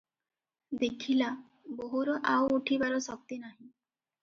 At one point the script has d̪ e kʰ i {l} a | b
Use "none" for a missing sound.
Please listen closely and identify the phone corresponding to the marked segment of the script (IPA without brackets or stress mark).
l